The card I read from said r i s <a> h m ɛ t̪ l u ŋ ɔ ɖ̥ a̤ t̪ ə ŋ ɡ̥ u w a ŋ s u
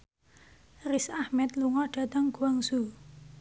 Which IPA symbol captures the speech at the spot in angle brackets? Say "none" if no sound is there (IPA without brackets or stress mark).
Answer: a